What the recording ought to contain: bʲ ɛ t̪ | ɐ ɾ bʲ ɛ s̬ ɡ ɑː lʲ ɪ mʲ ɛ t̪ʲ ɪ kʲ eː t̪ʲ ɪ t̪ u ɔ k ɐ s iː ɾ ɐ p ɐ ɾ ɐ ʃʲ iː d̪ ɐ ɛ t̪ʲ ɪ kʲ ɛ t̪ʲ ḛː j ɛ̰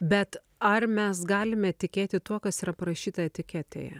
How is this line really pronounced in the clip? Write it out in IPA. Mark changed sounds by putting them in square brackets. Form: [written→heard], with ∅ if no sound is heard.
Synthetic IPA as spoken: bʲ ɛ t̪ | ɐ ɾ [bʲ→mʲ] ɛ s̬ ɡ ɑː lʲ ɪ mʲ ɛ t̪ʲ ɪ kʲ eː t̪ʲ ɪ t̪ u ɔ k ɐ s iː ɾ ɐ p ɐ ɾ ɐ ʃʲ iː [d̪→t̪] ɐ ɛ t̪ʲ ɪ kʲ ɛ t̪ʲ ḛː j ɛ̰